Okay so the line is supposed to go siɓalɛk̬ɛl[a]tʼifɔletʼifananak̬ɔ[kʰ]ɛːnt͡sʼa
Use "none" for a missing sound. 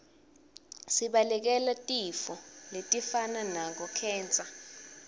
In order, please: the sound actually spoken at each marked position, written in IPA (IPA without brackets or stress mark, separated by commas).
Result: a, kʰ